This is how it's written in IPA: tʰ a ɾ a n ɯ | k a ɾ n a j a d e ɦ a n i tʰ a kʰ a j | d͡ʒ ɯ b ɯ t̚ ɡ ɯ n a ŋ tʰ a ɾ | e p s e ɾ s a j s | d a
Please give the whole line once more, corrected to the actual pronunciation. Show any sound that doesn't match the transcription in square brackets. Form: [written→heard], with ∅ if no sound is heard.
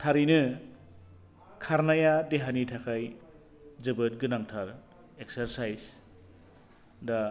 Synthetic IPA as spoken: tʰ a ɾ [a→i] n ɯ | [k→kʰ] a ɾ n a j a d e ɦ a n i tʰ a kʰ a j | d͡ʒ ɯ b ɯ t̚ ɡ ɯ n a ŋ tʰ a ɾ | e [p→k] s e ɾ s a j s | d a

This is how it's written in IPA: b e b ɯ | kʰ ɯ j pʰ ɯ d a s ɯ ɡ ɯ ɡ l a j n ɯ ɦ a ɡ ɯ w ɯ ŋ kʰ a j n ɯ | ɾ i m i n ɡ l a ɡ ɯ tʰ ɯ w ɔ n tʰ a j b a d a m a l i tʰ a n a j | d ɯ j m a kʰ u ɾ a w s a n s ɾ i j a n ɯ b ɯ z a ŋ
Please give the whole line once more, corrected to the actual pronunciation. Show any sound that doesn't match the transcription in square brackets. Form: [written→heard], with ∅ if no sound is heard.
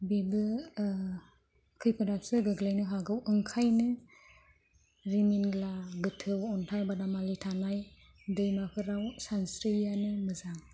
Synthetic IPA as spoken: b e b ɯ | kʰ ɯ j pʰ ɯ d a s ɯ ɡ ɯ ɡ l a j n ɯ ɦ a ɡ ɯ w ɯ ŋ kʰ a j n ɯ | ɾ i m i n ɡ l a ɡ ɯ tʰ ɯ w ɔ n tʰ a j b a d a m a l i tʰ a n a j | d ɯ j m a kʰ [u→ɯ] ɾ a w s a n s ɾ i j a n ɯ [b→m] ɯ z a ŋ

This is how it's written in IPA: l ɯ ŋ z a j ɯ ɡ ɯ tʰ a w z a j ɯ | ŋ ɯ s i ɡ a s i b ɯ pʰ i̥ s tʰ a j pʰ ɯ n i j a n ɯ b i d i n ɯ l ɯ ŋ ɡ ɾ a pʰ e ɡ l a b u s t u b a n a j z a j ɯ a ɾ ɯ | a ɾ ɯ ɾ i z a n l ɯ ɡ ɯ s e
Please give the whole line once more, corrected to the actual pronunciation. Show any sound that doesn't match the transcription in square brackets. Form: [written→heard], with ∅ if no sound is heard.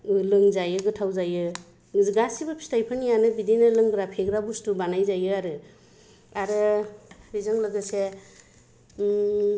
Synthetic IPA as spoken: l ɯ ŋ z a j ɯ ɡ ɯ tʰ a w z a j ɯ | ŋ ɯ [s→z] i ɡ a s i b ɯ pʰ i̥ s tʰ a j pʰ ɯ n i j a n ɯ b i d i n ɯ l ɯ ŋ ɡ ɾ a pʰ e ɡ [l→ɾ] a b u s t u b a n a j z a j ɯ a ɾ ɯ | a ɾ ɯ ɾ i z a [n→ŋ] l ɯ ɡ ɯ s e

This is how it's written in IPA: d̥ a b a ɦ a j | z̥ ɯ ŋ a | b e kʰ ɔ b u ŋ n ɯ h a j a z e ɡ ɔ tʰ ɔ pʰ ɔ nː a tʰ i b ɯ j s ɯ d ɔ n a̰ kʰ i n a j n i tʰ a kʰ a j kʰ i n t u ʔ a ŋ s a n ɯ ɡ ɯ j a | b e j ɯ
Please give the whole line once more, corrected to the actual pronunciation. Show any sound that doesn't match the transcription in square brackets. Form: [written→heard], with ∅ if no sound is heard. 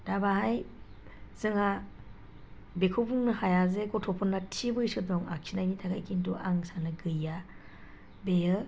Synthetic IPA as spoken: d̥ a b a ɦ a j | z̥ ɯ ŋ a | b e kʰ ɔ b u ŋ n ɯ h a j a z e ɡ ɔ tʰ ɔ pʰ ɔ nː a tʰ i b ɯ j s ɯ d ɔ [n→ŋ] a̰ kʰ i n a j n i tʰ a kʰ a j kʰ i n t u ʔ a ŋ s a n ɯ ɡ ɯ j a | b e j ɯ

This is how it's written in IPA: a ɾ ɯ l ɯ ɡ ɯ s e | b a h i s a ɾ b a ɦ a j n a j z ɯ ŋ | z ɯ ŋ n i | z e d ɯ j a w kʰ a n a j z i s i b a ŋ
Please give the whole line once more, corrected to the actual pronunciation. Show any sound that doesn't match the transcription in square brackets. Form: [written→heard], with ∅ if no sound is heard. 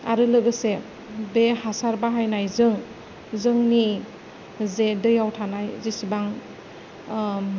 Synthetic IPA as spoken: a ɾ ɯ l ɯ ɡ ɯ s e | b [a→e] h [i→a] s a ɾ b a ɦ a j n a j z ɯ ŋ | z ɯ ŋ n i | z e d ɯ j a w [kʰ→tʰ] a n a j z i s i b a ŋ

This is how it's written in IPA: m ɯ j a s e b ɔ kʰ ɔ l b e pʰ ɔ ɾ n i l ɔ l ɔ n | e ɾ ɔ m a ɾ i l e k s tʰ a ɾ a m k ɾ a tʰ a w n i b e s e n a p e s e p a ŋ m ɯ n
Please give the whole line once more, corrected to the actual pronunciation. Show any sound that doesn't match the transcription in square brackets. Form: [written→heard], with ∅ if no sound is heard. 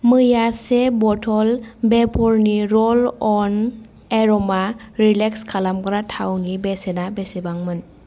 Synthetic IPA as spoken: m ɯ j a s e b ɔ [kʰ→tʰ] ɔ l b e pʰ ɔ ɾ n i [l→ɾ] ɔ l ɔ n | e ɾ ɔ m a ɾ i l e k s [tʰ→kʰ] a [ɾ→l] a m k ɾ a tʰ a w n i b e s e n a [p→b] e s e [p→b] a ŋ m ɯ n

